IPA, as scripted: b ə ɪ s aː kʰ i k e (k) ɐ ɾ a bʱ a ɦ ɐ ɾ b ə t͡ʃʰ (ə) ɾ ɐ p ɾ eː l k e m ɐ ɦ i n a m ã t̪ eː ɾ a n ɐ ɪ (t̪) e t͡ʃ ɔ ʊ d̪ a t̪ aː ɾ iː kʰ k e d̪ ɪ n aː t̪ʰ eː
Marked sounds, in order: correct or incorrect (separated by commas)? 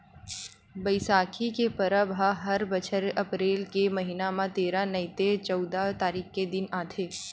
incorrect, correct, correct